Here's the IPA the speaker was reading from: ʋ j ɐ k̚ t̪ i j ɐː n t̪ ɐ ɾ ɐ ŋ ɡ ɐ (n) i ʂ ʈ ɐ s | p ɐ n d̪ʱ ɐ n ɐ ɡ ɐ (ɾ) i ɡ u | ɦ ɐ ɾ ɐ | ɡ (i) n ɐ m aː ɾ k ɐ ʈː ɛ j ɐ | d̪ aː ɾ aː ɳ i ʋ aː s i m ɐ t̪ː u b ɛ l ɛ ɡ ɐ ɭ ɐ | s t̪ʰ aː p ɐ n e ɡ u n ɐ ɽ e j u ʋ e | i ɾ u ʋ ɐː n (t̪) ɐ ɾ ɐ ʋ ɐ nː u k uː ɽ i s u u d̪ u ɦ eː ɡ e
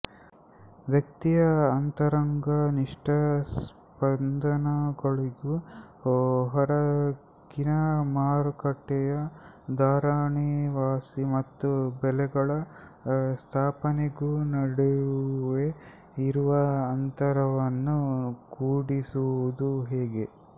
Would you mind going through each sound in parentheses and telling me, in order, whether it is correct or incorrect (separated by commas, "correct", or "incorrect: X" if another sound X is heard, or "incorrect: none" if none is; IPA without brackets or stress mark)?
correct, incorrect: ɭ, correct, correct